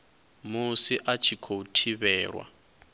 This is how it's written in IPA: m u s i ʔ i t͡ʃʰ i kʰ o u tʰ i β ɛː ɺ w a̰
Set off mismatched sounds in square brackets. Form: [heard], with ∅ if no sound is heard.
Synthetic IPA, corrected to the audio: m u s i ʔ [a] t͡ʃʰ i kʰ o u tʰ i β ɛː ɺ w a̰